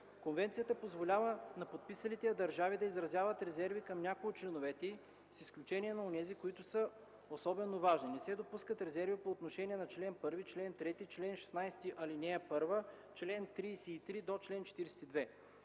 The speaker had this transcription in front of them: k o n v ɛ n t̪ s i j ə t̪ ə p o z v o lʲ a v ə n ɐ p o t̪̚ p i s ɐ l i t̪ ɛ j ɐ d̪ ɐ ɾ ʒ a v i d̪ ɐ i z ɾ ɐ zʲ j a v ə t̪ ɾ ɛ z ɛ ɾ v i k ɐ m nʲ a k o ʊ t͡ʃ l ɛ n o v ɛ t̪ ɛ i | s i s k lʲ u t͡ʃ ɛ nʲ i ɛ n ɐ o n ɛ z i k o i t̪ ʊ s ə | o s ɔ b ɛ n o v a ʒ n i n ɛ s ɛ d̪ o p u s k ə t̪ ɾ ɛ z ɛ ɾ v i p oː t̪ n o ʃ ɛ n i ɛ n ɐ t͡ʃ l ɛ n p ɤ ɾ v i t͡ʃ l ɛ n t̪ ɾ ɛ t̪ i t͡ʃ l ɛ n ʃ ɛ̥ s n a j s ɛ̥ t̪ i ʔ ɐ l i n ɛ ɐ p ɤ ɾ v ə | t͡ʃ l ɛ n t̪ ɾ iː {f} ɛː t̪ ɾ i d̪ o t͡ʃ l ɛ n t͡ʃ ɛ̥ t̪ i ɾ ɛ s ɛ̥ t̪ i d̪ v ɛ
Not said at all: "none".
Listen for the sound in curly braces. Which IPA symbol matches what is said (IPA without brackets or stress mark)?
s